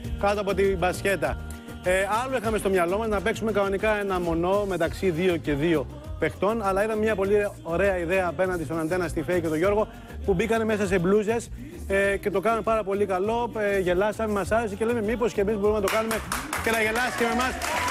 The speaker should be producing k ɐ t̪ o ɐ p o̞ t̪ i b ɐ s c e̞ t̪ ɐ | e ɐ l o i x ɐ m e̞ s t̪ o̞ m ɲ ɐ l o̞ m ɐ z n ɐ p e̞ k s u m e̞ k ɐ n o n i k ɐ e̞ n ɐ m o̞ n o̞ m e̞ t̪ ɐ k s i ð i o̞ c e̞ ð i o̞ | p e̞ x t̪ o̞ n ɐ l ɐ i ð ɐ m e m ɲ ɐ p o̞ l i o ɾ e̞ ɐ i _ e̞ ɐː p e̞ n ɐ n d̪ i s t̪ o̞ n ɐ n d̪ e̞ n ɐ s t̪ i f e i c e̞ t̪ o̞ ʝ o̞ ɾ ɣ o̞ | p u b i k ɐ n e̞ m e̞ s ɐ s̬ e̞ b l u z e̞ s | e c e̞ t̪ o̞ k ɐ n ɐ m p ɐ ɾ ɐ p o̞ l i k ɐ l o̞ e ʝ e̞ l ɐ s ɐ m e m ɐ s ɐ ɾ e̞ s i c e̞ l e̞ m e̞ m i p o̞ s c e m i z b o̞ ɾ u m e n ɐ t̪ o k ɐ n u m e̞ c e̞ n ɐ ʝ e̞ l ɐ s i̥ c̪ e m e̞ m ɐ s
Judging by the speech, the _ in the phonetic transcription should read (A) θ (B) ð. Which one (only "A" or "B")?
B